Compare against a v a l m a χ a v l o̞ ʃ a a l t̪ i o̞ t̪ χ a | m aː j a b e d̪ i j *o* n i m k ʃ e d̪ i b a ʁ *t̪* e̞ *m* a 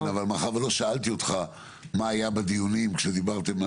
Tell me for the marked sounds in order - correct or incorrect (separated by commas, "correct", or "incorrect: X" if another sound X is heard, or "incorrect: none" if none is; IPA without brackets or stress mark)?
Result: incorrect: u, correct, correct